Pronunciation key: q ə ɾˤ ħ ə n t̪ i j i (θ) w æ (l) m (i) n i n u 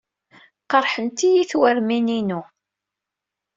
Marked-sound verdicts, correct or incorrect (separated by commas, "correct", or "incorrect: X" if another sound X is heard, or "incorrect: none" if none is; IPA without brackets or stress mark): correct, incorrect: ɾ, correct